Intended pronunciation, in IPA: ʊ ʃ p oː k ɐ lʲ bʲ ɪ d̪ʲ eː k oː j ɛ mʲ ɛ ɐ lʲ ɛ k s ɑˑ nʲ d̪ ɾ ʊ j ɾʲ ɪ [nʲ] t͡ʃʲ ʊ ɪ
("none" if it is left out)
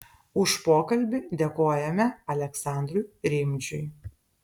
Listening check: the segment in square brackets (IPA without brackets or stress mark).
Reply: mʲ